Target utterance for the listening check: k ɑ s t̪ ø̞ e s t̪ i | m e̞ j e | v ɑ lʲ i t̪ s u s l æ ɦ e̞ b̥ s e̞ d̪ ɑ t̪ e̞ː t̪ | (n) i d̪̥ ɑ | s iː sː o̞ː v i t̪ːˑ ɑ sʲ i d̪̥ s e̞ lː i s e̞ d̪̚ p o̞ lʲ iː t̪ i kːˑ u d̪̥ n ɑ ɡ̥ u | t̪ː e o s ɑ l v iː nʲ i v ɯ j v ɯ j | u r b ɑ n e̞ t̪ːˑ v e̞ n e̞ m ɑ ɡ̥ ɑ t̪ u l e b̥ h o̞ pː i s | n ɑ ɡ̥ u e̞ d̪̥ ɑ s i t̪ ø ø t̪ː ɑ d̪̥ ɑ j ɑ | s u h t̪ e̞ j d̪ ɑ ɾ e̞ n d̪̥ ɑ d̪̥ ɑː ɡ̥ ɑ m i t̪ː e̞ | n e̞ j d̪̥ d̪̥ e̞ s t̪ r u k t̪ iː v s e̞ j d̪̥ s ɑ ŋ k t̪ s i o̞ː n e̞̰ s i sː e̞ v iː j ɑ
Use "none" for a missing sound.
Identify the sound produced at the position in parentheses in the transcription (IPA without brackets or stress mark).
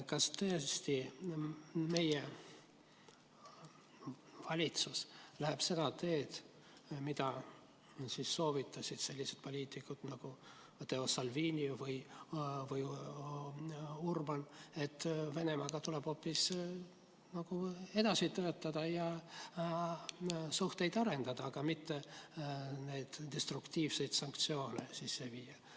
m